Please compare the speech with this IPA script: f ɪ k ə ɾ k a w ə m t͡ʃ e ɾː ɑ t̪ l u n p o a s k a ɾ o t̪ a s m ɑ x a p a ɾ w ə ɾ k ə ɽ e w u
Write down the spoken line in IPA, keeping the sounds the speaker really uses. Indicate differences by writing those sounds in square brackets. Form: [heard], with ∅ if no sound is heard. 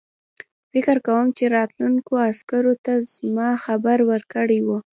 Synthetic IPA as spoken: f ɪ k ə ɾ k a w ə m t͡ʃ e [ɾ] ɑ t̪ l u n [k] o a s k a ɾ o t̪ a [z] m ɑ x a [b] a ɾ w ə ɾ k ə ɽ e w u